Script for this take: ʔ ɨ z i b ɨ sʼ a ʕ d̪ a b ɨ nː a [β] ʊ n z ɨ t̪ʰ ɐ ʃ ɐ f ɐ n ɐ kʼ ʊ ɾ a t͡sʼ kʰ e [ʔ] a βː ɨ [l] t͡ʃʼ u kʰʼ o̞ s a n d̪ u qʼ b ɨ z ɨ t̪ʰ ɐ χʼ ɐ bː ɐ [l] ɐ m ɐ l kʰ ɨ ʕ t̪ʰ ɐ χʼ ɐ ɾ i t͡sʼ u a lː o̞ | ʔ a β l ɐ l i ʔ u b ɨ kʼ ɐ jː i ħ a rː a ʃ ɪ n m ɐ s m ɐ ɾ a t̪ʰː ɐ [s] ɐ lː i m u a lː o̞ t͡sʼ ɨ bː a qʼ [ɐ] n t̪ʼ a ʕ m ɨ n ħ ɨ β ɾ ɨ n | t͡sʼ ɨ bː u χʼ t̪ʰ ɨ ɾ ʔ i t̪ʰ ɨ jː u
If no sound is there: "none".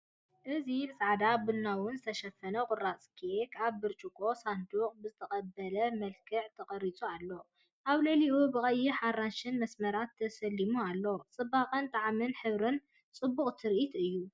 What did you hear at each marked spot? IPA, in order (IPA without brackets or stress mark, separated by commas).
w, k, ɾ, l, s, ɐ